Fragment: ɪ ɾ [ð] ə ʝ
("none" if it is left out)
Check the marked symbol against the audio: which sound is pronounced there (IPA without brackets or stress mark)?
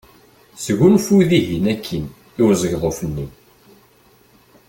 z